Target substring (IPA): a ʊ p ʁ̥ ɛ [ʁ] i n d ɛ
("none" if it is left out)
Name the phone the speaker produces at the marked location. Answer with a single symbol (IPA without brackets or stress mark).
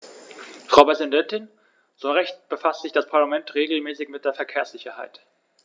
z